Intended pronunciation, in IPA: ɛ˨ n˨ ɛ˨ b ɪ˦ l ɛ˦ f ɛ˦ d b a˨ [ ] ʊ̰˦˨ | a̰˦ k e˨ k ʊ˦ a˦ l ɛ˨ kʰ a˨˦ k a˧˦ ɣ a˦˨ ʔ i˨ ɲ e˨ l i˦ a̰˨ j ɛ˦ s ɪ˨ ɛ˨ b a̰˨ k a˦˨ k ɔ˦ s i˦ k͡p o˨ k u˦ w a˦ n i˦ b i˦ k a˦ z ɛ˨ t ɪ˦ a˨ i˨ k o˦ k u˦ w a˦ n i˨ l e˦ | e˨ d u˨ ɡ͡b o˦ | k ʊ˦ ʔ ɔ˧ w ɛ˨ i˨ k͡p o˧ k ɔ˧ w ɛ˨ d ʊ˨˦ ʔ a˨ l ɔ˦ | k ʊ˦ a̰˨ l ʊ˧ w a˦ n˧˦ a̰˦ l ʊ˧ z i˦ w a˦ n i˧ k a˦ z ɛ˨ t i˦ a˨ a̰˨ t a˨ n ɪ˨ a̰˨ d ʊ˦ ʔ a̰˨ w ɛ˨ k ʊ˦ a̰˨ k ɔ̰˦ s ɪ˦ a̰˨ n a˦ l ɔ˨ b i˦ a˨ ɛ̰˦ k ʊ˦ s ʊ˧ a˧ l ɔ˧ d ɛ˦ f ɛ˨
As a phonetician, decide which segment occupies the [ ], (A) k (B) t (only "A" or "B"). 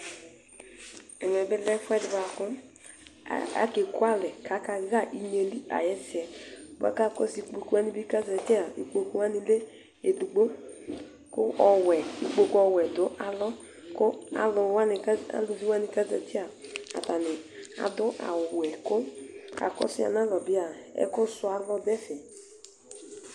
A